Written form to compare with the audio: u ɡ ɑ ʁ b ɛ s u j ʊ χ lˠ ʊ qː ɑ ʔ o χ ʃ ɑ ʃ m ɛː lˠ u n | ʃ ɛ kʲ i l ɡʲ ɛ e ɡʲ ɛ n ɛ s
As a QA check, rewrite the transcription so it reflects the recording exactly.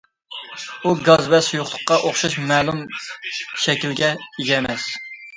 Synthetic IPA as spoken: u ɡ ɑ z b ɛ s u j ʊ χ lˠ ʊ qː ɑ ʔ o χ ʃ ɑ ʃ m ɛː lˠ u m | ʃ ɛ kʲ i l ɡʲ ɛ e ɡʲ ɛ m ɛ s